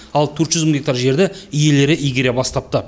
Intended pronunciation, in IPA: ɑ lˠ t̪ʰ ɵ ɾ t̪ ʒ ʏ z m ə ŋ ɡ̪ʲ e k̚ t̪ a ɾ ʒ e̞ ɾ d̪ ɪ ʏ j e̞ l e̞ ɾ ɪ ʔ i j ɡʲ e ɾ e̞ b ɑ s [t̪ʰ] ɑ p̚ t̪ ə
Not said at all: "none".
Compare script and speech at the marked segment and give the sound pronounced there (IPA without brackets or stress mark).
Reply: t̪